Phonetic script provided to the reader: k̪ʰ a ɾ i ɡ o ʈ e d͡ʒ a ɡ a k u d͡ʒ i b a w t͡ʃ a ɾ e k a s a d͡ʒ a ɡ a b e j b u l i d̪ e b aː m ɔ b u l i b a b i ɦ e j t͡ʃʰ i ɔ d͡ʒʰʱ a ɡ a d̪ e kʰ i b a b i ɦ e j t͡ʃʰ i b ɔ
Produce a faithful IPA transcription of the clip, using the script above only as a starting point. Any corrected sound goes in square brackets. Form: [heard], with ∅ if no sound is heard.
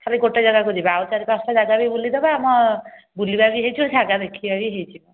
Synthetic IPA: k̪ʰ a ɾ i ɡ o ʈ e d͡ʒ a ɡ a k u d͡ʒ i b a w t͡ʃ a ɾ [i] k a s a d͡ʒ a ɡ a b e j b u l i d̪ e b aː m ɔ b u l i b a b i ɦ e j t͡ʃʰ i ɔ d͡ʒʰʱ a ɡ a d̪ e kʰ i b a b i ɦ e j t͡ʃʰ i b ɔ

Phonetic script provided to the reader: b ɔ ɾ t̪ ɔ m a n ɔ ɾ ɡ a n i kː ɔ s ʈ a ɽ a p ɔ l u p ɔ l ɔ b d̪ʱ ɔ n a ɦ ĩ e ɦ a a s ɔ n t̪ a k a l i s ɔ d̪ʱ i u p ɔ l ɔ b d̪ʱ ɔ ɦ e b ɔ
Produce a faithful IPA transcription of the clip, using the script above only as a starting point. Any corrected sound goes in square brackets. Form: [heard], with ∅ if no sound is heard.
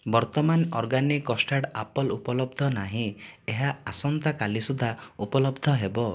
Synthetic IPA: b ɔ ɾ t̪ ɔ m a n ɔ ɾ ɡ a n i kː ɔ s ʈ a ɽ a p ɔ l u p ɔ l ɔ b d̪ʱ ɔ n a ɦ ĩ e ɦ a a s ɔ n t̪ a k a l i s [u] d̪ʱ [a] u p ɔ l ɔ b d̪ʱ ɔ ɦ e b ɔ

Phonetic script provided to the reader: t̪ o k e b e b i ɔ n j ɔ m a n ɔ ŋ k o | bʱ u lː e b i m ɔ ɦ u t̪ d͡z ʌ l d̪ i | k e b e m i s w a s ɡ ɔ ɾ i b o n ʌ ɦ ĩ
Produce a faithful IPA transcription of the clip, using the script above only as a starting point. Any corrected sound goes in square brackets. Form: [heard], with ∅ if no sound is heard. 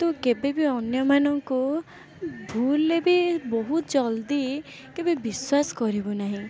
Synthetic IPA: t̪ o k e b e b i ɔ n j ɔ m a n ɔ ŋ k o | bʱ u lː e b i [b] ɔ ɦ u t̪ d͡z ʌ l d̪ i | k e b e [b] i s w a s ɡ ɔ ɾ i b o n [a] ɦ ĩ

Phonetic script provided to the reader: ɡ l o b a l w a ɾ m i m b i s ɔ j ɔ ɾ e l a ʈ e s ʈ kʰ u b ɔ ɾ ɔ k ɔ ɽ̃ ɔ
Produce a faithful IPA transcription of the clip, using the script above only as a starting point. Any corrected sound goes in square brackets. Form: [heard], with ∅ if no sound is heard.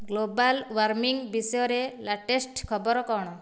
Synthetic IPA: ɡ l o b a l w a ɾ m i [ŋ] b i s ɔ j ɔ ɾ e l a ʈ e s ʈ kʰ [ɔ] b ɔ ɾ ɔ k ɔ ɽ̃ ɔ

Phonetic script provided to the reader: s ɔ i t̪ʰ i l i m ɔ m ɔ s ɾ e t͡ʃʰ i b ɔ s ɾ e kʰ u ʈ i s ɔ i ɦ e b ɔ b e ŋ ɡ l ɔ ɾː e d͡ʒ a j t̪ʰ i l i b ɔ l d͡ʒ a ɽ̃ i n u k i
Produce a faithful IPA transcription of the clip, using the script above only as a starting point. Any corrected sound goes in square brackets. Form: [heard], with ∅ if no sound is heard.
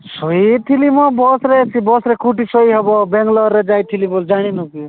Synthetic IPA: s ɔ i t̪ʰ i l i m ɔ [b] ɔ s ɾ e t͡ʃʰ i b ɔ s ɾ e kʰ u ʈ i s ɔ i ɦ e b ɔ b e ŋ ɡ l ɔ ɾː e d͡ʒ a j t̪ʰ i l i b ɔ l d͡ʒ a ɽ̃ i n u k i

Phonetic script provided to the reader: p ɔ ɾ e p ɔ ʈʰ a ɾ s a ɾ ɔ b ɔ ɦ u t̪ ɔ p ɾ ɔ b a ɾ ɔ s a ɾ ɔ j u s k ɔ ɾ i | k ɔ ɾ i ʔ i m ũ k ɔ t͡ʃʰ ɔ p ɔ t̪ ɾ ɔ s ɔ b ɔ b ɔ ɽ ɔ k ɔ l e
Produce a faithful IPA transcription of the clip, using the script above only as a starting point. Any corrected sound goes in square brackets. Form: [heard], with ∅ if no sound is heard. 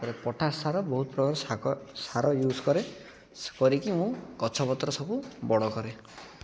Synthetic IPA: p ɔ ɾ e p ɔ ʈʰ a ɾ s a ɾ ɔ b ɔ ɦ u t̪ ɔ p ɾ ɔ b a ɾ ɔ s a ɾ ɔ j u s k ɔ ɾ [e] | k ɔ ɾ i [k] i m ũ k ɔ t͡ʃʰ ɔ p ɔ t̪ ɾ ɔ s ɔ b [u] b ɔ ɽ ɔ k ɔ [ɾ] e

